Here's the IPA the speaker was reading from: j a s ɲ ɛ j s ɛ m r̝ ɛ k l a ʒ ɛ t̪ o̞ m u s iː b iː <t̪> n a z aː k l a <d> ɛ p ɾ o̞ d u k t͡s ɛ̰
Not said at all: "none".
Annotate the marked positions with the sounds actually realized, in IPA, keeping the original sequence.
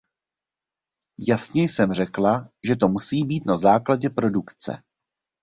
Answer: t̪, ɟ

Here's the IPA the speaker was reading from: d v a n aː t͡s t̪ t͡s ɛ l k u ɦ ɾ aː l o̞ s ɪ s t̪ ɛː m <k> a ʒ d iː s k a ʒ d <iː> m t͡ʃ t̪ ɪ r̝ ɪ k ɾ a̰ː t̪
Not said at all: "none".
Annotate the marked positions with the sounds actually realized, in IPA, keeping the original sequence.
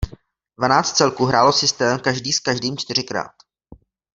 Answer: k, iː

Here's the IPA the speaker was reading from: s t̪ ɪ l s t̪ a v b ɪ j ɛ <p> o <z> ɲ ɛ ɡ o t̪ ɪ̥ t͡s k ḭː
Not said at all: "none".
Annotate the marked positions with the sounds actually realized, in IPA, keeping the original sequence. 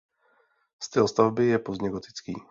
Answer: p, z

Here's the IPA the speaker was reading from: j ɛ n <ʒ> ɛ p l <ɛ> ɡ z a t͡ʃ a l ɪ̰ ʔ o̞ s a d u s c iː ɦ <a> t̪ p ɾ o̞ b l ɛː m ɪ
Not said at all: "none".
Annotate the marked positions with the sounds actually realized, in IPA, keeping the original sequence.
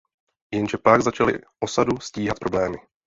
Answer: ʒ, a, a

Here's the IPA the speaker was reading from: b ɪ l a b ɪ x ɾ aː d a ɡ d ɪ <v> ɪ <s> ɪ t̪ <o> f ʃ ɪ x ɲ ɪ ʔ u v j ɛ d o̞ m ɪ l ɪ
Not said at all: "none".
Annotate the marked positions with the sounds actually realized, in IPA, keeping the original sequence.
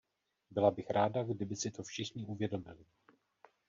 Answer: b, s, o

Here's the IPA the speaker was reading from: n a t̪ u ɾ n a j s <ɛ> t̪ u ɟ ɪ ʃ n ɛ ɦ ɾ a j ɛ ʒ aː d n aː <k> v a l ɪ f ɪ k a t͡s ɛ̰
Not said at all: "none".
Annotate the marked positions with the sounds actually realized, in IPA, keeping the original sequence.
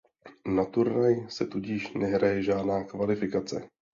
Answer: ɛ, k

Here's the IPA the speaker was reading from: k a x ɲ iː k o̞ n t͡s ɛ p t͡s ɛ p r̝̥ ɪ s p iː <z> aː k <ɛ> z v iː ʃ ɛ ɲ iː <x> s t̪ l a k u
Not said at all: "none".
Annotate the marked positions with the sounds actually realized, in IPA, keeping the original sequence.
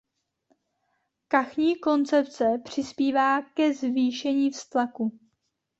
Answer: v, ɛ, f

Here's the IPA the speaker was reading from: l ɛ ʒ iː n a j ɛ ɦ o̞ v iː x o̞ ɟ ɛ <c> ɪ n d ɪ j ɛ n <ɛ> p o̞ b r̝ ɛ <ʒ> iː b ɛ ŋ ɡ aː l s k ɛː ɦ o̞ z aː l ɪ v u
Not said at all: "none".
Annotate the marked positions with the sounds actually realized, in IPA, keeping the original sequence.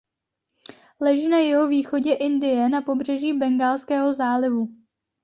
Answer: ʔ, a, ʒ

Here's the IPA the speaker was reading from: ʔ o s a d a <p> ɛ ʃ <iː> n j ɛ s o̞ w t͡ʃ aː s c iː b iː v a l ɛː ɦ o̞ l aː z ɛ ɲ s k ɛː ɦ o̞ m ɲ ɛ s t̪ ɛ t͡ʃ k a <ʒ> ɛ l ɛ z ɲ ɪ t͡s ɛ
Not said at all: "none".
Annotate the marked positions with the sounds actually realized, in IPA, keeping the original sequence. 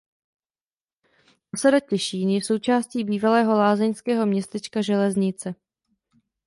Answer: c, iː, ʒ

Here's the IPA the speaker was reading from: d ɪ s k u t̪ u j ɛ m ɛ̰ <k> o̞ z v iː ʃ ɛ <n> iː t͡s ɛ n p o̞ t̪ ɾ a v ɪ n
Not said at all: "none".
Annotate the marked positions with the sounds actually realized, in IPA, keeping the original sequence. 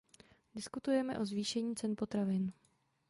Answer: ʔ, ɲ

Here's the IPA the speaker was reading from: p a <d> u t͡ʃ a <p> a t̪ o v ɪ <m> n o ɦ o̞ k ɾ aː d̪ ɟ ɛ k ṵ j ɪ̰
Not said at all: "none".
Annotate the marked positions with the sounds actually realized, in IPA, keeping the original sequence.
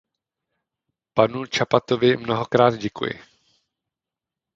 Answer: n, p, m

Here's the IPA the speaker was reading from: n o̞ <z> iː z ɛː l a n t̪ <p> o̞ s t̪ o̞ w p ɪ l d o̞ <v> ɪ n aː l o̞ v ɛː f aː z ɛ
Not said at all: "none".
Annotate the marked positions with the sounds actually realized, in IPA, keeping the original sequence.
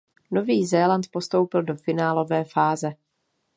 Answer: v, p, f

